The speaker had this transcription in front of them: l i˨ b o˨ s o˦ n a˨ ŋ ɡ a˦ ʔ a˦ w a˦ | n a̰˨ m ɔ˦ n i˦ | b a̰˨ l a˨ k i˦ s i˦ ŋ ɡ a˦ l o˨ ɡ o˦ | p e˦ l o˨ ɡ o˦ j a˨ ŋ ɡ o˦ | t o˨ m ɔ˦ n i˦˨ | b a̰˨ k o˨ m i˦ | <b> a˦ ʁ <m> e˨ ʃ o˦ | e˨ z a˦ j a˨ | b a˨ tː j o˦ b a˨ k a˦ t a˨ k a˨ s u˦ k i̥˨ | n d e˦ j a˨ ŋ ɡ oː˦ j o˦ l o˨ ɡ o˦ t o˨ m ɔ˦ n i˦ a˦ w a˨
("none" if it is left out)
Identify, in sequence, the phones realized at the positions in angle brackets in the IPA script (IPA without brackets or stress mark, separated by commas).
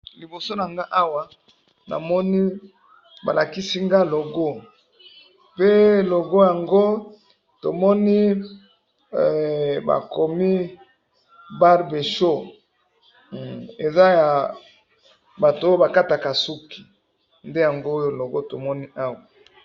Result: b, b